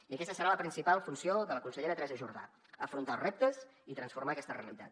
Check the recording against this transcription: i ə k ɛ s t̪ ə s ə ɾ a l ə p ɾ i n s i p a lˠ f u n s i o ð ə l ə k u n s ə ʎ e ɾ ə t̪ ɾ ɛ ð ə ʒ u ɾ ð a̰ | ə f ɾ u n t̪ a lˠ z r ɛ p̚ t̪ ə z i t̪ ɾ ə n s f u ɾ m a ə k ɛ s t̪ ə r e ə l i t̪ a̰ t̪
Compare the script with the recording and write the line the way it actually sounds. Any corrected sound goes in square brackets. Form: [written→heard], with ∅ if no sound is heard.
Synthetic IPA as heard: i ə k ɛ s t̪ ə s ə ɾ a l ə p ɾ i n s i p a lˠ f u n s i o ð ə l ə k u n s ə ʎ e ɾ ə t̪ ɾ ɛ [ð→z] ə ʒ u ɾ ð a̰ | ə f ɾ u n t̪ a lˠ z r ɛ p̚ t̪ ə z i t̪ ɾ ə n s f u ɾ m a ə k ɛ s t̪ ə r e ə l i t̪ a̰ t̪

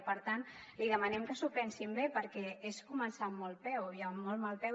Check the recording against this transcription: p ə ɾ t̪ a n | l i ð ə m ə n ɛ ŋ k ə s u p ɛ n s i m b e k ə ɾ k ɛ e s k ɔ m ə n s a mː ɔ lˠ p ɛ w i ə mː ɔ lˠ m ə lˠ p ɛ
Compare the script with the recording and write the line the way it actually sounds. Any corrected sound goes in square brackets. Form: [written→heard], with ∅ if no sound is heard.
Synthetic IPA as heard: p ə ɾ t̪ a n | l i ð ə m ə n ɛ [ŋ→m] k ə s u p ɛ n s i m b e [k→p] ə ɾ k ɛ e s k [ɔ→u] m ə n s a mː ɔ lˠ p ɛ w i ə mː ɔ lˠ m [ə→a] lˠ p ɛ

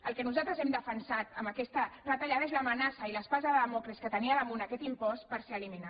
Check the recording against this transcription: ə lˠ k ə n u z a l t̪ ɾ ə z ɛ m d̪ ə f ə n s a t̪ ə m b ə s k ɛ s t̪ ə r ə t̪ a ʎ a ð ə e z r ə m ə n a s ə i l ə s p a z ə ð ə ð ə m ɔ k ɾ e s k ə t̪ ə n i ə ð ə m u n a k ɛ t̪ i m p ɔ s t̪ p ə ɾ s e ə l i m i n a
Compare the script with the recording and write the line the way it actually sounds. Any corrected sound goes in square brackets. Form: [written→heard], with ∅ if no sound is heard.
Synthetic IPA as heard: ə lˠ k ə n u z a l t̪ ɾ ə z ɛ m d̪ ə f ə n s a t̪ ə m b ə [s→∅] k ɛ s t̪ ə r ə t̪ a ʎ a ð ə e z [r→l] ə m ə n a s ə i l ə s p a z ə ð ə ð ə m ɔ k ɾ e s k ə t̪ ə n i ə ð ə m u n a k ɛ t̪ i m p ɔ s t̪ p ə ɾ s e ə l i m i n a

